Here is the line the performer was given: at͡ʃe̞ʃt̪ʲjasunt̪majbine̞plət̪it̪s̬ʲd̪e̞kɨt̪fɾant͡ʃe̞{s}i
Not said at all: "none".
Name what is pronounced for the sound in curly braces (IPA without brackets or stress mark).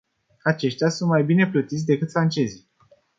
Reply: z